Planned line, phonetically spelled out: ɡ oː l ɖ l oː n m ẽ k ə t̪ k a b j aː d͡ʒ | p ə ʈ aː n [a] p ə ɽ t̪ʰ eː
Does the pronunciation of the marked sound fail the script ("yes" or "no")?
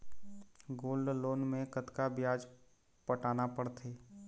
no